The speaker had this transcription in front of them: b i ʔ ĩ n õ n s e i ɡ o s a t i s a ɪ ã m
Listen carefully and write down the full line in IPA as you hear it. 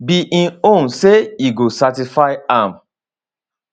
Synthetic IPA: b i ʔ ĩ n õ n s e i ɡ o s a t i f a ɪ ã m